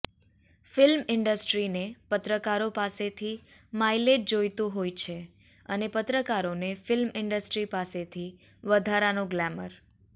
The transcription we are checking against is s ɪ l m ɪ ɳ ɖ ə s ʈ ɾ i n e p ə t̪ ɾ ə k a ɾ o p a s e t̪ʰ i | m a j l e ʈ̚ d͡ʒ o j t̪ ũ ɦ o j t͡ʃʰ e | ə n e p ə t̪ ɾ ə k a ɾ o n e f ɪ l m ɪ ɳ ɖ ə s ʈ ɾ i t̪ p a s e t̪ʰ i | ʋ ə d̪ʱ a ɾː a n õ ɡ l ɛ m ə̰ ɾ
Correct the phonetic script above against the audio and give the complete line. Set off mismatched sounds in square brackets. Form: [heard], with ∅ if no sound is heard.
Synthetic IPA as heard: [f] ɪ l m ɪ ɳ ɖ ə s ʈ ɾ i n e p ə t̪ ɾ ə k a ɾ o p a s e t̪ʰ i | m a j l e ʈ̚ d͡ʒ o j t̪ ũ ɦ o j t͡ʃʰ e | ə n e p ə t̪ ɾ ə k a ɾ o n e f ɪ l m ɪ ɳ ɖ ə s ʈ ɾ i [∅] p a s e t̪ʰ i | ʋ ə d̪ʱ a [ɾ] a n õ ɡ l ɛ m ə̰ ɾ